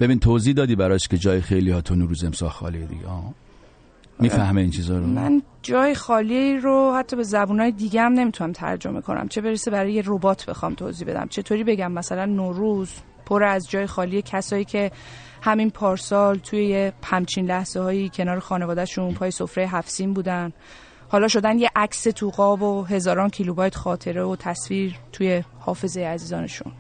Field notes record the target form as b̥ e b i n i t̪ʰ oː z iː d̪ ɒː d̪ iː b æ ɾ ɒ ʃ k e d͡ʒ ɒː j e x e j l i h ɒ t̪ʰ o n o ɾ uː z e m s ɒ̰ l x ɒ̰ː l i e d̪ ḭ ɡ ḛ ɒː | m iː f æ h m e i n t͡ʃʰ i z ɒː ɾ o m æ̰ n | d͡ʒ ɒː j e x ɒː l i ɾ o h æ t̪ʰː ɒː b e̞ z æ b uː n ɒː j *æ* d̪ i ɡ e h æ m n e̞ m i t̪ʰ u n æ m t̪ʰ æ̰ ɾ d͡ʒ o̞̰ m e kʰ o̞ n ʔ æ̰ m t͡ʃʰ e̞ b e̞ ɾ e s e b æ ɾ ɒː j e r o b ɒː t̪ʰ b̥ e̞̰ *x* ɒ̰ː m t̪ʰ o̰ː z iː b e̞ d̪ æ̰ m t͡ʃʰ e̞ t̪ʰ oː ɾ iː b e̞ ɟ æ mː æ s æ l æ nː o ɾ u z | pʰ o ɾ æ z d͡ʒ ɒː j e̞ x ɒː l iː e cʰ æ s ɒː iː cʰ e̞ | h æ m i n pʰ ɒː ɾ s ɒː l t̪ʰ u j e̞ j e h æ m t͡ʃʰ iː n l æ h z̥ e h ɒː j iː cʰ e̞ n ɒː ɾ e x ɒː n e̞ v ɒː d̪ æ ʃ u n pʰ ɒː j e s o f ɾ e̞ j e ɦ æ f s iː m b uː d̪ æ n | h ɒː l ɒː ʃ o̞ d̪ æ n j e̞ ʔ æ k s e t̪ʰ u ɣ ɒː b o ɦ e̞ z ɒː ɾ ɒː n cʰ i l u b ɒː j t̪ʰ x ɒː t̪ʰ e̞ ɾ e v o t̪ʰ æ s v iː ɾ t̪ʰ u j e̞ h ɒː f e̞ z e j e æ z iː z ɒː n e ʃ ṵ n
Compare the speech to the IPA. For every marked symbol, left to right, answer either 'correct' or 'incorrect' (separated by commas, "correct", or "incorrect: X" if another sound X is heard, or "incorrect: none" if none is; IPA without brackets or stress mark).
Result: incorrect: e, correct